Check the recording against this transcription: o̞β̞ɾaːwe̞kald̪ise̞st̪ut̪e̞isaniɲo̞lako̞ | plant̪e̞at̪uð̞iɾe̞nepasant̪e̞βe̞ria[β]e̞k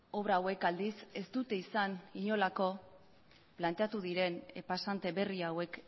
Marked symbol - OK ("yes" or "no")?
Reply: no